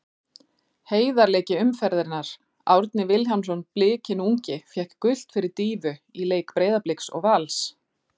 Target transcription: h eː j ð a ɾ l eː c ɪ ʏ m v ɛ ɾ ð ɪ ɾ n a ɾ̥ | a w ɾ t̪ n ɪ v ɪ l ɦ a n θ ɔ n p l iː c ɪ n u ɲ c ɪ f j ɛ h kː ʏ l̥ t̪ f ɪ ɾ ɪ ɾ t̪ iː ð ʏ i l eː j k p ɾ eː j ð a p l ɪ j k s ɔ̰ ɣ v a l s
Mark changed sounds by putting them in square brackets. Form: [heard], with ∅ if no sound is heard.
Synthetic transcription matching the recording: h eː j ð a ɾ l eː c ɪ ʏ m [f] ɛ ɾ ð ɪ ɾ n a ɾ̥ | a w ɾ t̪ n ɪ v ɪ l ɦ a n [s] ɔ n p l [ɪː] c ɪ n u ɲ c ɪ f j ɛ h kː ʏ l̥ t̪ f ɪ ɾ ɪ ɾ t̪ iː [v] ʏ i l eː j k p ɾ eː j ð a p l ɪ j k s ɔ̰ ɣ v a l s